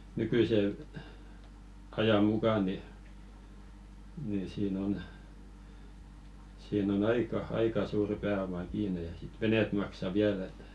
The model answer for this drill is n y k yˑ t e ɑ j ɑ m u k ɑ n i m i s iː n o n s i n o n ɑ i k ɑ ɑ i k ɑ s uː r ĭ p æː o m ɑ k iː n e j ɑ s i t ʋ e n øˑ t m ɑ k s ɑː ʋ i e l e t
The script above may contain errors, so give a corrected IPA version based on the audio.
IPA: n y k yˑ s e ɑ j ɑ m u k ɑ n i n i s iː n o n s iː n o n ɑ i k ɑ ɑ i k ɑ s uː r ĭ p æː o m ɑ k iː n e j ɑ s i t ʋ e n eˑ t m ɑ k s ɑ ʋ i æ l e t